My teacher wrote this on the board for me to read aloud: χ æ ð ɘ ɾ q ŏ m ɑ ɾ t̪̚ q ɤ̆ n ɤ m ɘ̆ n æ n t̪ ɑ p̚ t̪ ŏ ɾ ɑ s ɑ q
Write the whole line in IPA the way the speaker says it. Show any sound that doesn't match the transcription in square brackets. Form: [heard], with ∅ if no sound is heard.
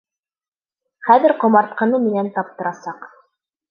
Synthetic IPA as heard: χ æ ð ɘ ɾ q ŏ m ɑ ɾ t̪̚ q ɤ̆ n ɤ m ɘ̆ n æ n t̪ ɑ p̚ t̪ [ɤ̆] ɾ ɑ s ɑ q